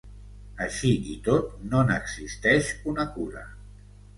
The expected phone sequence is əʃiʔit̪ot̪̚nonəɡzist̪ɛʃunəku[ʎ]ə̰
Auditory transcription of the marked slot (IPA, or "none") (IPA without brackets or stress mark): ɾ